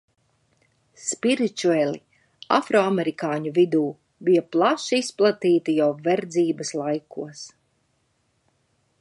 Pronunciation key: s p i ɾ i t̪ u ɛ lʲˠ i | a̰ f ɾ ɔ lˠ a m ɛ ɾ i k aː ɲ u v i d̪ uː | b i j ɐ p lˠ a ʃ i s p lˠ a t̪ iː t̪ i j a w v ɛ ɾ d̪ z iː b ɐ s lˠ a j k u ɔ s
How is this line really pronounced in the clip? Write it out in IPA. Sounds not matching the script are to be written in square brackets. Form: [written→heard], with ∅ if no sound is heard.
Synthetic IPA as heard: s p i ɾ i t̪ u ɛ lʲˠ i | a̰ f ɾ ɔ [lˠ→∅] a m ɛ ɾ i k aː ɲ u v i d̪ uː | b i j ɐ p lˠ a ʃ i s p lˠ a t̪ iː t̪ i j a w v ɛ ɾ d̪ z iː b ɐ s lˠ a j k u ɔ s